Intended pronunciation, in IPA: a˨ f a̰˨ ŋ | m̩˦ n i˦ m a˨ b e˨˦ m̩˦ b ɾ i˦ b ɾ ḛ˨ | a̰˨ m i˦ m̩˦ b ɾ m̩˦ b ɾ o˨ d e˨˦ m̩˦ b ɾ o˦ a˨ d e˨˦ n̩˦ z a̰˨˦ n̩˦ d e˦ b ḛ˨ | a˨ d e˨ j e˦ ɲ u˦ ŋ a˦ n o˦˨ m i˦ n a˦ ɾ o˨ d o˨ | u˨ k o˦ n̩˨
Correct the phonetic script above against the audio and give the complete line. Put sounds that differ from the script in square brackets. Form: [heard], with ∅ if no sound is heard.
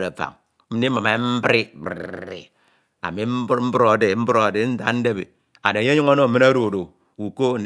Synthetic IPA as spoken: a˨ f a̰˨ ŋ | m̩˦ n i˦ m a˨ [m] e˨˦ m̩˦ b ɾ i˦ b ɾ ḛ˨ | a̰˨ m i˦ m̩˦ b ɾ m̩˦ b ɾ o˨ d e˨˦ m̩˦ b ɾ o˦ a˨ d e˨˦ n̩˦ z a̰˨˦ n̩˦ d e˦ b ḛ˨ | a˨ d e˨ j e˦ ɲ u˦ ŋ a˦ n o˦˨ m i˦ n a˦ ɾ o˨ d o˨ | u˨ k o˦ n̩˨